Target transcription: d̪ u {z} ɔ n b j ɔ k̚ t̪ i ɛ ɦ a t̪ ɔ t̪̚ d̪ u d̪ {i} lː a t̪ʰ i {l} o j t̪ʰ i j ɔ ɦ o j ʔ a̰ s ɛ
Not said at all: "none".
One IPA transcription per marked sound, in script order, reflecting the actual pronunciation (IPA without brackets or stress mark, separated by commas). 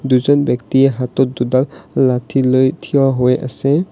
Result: z, a, l